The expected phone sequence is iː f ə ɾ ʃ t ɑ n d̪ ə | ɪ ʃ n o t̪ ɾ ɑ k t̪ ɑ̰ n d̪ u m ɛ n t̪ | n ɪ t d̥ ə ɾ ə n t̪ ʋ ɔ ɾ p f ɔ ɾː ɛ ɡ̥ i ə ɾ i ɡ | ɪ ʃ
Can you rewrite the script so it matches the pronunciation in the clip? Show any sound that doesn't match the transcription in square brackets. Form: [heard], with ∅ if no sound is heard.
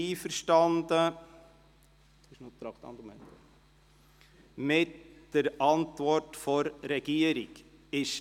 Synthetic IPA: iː f ə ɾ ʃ t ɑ n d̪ ə | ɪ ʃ n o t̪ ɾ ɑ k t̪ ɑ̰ n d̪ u m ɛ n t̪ | [m] ɪ t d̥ ə ɾ [ɑ] n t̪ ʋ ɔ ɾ [t] f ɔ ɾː ɛ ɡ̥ i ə ɾ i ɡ | ɪ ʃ

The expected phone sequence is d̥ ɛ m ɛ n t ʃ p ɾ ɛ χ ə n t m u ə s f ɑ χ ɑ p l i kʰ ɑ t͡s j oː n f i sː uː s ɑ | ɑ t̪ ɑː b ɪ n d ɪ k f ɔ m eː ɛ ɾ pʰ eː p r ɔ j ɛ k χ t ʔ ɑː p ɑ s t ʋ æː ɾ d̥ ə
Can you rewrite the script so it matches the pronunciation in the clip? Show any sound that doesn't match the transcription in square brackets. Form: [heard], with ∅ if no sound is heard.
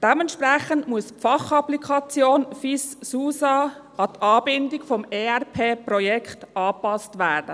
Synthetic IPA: d̥ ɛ m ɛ n t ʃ p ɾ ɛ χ ə n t m u ə s f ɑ χ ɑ p l i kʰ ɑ t͡s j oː n f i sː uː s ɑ | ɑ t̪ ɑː b ɪ n d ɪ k f ɔ m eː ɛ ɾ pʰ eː p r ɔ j ɛ k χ t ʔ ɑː p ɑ s t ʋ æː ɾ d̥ ə

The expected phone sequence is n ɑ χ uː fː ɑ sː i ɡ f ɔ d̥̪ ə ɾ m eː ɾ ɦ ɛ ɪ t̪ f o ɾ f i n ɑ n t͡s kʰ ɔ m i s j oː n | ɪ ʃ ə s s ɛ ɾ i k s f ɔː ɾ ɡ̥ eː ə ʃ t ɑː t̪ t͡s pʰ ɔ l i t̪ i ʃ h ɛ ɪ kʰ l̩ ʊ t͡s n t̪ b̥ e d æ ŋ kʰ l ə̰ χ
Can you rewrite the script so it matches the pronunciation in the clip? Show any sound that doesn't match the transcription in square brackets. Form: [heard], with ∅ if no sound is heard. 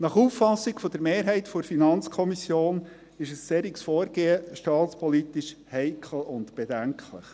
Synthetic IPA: n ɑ χ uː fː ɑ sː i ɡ f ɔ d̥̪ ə ɾ m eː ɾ ɦ ɛ ɪ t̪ f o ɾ f i n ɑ n t͡s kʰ ɔ m i s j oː n | ɪ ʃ ə s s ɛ ɾ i k s f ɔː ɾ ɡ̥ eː ə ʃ t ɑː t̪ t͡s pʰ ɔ l i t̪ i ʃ h ɛ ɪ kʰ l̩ ʊ [∅] n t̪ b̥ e d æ ŋ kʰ l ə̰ χ

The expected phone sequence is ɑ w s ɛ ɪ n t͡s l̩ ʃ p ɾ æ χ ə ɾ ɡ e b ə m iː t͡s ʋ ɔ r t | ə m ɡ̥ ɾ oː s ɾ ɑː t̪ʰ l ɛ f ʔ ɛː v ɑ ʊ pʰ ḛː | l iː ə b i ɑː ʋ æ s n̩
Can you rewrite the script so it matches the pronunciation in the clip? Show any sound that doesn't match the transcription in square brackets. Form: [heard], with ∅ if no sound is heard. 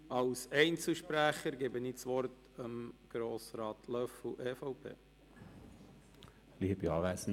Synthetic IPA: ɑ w s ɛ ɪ n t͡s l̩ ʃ p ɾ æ χ ə ɾ ɡ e b ə [n] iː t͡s ʋ ɔ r t | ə m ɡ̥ ɾ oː s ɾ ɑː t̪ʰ l [œ] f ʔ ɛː [f] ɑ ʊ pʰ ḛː | l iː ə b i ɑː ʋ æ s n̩

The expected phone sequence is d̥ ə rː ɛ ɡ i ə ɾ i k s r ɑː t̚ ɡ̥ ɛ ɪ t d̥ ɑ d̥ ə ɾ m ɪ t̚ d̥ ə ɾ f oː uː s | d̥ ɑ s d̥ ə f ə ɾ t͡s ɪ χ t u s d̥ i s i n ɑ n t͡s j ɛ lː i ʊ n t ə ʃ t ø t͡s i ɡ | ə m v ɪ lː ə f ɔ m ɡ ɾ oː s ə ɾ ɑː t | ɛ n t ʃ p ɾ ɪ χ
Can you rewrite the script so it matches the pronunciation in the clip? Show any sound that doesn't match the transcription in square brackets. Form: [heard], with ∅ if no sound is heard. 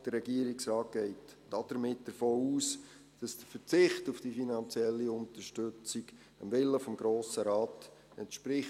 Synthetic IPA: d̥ ə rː ɛ ɡ i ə ɾ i k s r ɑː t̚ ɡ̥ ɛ ɪ t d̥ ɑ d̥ ə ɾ m ɪ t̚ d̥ ə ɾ f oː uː s | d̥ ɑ s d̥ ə f ə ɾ t͡s ɪ χ t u [f] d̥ i [f] i n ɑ n t͡s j ɛ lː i ʊ n t ə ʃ t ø t͡s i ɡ | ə m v ɪ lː ə f ɔ m ɡ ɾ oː s ə ɾ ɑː t | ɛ n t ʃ p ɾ ɪ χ

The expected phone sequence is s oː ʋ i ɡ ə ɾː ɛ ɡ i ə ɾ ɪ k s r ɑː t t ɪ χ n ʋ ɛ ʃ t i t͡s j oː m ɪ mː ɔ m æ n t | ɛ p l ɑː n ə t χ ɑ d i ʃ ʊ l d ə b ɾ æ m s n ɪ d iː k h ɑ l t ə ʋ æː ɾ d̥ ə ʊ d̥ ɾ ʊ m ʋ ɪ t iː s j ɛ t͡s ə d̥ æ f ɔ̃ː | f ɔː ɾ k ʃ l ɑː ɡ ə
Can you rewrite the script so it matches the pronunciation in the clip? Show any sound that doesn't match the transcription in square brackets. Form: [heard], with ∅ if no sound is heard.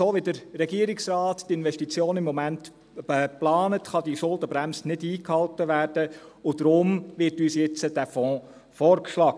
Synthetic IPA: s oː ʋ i [d] ə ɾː ɛ ɡ i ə ɾ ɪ k s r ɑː t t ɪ [∅] n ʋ ɛ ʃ t i t͡s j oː [n] ɪ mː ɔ m æ n t | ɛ p l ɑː n ə t χ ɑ d i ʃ ʊ l d ə b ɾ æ m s n ɪ d iː k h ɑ l t ə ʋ æː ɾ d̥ ə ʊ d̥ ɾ ʊ m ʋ ɪ t [yː] s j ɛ t͡s ə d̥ æ f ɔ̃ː | f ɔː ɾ k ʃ l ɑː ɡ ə

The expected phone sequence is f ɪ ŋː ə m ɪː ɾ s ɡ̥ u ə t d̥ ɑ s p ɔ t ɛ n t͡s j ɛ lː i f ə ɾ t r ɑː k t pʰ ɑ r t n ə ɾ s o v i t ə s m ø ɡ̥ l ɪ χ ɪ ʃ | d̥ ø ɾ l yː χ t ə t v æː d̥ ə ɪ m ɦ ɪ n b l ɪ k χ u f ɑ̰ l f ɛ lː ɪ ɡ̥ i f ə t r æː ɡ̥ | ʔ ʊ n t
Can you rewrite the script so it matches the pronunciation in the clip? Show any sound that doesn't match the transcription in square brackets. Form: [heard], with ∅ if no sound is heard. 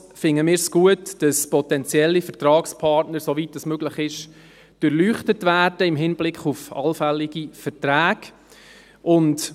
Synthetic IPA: f ɪ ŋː ə m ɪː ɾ s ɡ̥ u ə t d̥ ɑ s p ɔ t ɛ n t͡s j ɛ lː i f ə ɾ t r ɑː k [s] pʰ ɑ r t n ə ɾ s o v i t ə s m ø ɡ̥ l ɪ χ ɪ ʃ | d̥ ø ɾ l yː χ t ə t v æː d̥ ə ɪ m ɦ ɪ n b l ɪ k χ u f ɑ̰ l f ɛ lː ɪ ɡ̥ i f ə t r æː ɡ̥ | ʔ ʊ n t

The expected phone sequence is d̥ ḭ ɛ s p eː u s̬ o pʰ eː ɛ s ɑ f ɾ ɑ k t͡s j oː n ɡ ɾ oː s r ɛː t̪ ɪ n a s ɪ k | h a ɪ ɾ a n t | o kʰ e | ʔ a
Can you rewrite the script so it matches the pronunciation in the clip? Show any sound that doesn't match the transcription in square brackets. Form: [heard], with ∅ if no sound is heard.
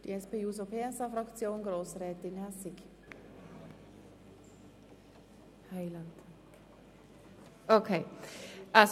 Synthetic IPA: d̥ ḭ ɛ s p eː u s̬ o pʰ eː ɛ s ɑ f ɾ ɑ k t͡s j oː n ɡ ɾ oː s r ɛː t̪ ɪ n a s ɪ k | h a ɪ [l] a n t | o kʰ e | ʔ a

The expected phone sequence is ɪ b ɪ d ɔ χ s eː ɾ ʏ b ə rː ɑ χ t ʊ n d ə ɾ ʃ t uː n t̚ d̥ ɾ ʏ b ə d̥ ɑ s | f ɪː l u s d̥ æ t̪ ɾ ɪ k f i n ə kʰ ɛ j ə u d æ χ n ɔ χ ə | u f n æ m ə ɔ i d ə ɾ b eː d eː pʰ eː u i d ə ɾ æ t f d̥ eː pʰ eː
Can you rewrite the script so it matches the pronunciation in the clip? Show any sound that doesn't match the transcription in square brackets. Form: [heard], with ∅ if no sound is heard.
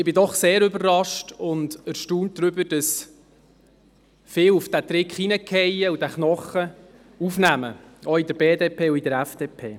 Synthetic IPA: ɪ b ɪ d ɔ χ s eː ɾ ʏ b ə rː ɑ [ʃ] t ʊ n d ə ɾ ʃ t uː n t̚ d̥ ɾ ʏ b ə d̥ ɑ s | f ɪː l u [f] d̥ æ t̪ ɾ ɪ k [χ] i n ə kʰ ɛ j ə u d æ χ n ɔ χ ə | u f n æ m ə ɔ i d ə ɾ b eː d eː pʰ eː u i d ə ɾ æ [∅] f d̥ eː pʰ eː

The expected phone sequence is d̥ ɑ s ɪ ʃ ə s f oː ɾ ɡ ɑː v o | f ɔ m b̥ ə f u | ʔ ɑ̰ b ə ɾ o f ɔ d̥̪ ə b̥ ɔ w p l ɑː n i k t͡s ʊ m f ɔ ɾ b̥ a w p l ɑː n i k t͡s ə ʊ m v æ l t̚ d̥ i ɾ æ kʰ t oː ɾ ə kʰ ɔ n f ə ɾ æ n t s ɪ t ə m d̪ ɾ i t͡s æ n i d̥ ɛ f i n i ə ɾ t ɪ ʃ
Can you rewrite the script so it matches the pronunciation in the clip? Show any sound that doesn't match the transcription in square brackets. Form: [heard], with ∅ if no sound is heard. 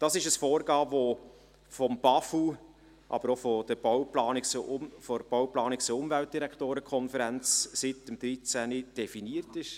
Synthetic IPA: d̥ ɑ s ɪ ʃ ə s f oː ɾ ɡ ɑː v o | f ɔ m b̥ [ɑ] f u | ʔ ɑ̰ b ə ɾ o f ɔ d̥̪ ə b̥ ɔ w p l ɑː n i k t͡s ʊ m f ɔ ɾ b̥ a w p l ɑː n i k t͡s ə ʊ m v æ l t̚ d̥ i ɾ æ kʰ t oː ɾ ə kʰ ɔ n f ə ɾ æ n [t͡s] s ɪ t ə m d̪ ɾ i t͡s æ n i d̥ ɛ f i n i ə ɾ t ɪ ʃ

